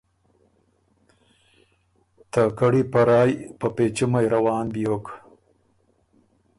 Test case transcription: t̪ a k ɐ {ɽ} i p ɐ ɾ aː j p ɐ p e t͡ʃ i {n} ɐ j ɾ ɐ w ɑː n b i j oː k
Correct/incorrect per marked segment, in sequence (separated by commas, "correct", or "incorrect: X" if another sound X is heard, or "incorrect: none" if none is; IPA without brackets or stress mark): correct, incorrect: m